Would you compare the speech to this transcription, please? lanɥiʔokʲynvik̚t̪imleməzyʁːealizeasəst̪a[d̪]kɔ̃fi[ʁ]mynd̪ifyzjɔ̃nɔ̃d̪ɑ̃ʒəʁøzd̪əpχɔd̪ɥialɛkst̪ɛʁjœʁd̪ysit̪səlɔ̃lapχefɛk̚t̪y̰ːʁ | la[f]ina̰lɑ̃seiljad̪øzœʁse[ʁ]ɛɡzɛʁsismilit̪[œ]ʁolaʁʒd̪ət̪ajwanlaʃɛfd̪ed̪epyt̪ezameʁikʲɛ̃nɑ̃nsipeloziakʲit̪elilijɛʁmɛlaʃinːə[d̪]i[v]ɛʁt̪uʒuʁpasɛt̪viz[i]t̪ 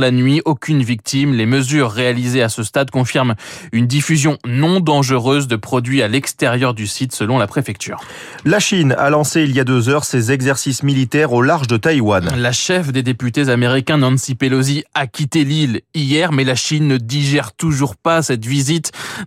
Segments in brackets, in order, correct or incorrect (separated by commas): correct, correct, incorrect, incorrect, incorrect, correct, incorrect, correct